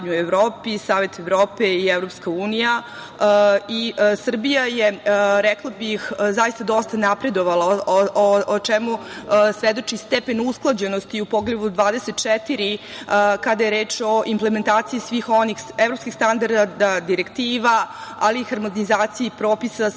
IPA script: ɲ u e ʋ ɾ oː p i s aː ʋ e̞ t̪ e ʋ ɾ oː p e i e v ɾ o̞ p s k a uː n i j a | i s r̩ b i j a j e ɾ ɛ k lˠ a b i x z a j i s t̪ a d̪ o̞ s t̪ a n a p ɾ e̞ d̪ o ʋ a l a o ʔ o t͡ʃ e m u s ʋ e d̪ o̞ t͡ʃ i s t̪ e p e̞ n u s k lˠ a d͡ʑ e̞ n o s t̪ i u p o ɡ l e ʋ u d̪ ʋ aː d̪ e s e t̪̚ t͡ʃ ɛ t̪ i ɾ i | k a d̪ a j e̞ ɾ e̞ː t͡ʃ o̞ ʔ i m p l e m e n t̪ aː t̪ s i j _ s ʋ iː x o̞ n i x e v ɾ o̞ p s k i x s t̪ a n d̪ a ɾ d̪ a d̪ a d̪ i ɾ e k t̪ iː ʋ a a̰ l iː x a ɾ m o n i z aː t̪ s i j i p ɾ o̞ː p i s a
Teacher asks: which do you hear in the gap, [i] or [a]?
i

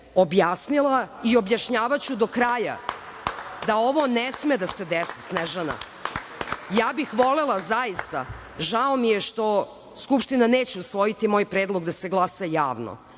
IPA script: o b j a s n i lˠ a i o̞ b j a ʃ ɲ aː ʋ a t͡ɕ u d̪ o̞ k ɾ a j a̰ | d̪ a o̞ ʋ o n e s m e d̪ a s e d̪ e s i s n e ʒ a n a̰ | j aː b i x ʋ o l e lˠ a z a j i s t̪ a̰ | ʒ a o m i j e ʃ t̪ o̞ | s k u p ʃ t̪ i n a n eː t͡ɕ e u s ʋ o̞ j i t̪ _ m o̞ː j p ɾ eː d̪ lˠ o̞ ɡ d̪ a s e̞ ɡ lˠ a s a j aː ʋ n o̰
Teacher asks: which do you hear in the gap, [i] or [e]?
i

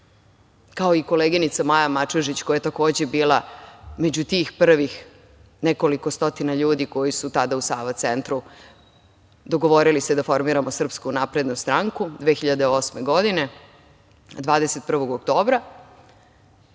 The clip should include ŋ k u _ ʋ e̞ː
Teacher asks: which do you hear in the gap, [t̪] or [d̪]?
d̪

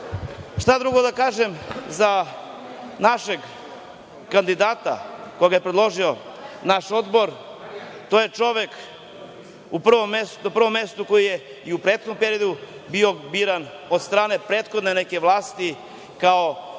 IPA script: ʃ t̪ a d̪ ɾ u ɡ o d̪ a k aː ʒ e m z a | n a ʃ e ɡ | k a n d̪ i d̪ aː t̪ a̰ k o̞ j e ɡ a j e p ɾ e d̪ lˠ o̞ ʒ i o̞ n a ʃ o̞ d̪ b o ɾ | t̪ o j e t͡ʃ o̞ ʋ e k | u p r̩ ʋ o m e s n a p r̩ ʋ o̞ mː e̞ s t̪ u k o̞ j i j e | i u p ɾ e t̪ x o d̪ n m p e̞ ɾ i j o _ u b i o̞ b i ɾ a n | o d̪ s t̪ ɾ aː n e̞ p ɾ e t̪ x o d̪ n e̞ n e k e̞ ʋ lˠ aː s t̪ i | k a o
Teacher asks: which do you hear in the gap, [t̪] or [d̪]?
d̪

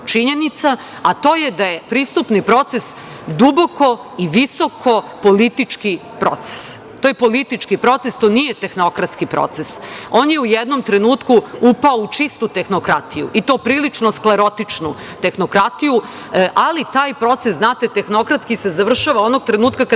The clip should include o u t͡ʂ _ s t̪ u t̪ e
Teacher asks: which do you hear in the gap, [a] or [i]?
i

